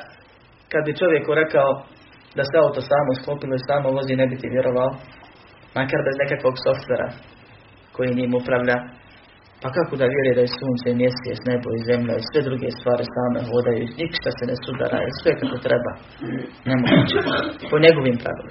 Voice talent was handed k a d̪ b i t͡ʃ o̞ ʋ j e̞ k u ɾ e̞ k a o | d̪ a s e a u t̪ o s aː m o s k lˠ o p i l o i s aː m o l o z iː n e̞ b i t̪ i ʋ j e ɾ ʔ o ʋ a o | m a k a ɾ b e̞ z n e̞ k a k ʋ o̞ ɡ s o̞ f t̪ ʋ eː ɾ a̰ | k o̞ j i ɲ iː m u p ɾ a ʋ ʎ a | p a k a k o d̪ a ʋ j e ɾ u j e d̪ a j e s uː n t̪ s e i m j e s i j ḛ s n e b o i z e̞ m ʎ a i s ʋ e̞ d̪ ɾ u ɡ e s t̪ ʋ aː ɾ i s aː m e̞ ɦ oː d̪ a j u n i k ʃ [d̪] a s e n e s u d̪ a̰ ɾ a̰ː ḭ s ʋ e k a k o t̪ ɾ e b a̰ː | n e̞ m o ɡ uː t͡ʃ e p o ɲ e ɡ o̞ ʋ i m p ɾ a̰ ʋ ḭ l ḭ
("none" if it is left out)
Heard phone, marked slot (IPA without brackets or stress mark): t̪